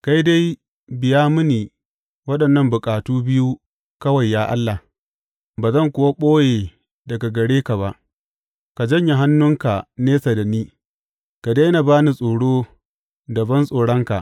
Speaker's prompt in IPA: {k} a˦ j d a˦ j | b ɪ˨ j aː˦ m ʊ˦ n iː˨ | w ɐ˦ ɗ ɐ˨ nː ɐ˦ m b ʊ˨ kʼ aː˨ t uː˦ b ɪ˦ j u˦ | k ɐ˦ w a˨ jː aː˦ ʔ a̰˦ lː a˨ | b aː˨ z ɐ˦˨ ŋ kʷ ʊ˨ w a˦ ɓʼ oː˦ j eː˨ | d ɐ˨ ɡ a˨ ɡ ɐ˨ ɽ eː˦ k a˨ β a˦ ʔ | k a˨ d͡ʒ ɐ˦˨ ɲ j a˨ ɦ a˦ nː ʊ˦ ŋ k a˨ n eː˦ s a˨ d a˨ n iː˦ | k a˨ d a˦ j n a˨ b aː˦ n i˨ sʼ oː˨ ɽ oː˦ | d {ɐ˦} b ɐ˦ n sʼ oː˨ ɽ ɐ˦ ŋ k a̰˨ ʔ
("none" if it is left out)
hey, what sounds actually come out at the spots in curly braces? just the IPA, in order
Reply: k, ɐ˨

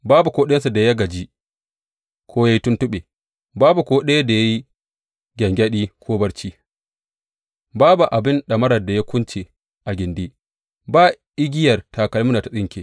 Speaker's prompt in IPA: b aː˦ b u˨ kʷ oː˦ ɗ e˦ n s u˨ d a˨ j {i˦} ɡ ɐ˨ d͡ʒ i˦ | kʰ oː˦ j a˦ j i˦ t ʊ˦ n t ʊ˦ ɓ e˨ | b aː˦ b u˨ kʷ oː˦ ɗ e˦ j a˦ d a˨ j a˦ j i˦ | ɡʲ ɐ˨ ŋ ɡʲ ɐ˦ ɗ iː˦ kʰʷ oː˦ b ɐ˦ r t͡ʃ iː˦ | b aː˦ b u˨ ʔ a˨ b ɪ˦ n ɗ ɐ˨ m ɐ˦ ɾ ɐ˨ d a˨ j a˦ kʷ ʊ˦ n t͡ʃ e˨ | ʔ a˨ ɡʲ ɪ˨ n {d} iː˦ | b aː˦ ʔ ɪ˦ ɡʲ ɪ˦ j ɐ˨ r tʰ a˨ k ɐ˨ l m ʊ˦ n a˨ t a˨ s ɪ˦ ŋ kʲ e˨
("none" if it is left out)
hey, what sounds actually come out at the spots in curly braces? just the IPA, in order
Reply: a˦, d

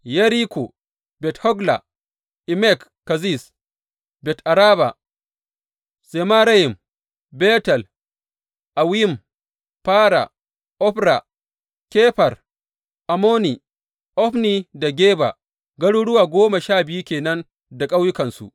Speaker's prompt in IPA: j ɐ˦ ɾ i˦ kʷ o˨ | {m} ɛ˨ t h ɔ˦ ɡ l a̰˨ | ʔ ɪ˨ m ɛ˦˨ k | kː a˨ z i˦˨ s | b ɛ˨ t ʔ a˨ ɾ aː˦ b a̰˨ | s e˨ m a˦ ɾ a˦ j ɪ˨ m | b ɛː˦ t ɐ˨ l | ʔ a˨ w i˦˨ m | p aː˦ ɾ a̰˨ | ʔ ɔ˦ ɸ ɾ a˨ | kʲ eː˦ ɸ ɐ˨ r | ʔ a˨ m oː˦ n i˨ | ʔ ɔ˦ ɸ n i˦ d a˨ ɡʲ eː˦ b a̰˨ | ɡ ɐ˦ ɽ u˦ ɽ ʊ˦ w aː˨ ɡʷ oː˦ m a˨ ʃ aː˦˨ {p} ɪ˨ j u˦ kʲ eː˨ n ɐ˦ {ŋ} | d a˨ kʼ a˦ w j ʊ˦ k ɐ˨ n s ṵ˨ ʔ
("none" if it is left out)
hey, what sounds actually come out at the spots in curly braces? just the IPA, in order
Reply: b, b, n

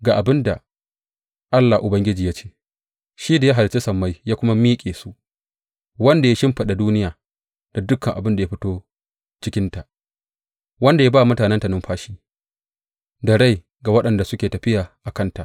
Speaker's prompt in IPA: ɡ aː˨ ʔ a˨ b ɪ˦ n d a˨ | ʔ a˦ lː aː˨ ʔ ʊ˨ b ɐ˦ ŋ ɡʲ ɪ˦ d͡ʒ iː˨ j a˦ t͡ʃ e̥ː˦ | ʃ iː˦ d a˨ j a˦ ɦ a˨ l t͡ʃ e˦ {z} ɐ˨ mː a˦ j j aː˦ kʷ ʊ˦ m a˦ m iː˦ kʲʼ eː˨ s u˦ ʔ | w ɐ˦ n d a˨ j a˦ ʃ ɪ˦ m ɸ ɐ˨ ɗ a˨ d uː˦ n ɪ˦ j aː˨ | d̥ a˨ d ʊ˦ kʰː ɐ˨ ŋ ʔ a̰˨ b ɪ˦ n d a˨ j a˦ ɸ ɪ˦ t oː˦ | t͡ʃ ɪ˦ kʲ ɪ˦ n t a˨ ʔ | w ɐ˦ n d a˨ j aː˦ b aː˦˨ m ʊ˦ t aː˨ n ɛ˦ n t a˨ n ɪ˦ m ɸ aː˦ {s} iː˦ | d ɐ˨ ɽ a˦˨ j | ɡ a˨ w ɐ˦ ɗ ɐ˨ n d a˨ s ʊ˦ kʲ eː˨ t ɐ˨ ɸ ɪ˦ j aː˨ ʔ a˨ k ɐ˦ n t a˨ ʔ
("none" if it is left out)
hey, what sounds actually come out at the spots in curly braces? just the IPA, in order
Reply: s, ʃ

